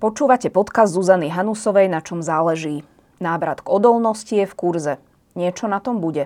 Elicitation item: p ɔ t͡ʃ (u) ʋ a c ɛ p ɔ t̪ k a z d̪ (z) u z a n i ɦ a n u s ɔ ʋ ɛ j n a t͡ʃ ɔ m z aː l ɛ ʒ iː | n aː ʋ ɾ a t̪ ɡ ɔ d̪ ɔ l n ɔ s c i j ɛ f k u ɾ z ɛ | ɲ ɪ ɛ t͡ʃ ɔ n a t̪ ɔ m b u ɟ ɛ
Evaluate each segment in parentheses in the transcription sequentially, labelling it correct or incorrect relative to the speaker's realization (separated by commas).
incorrect, correct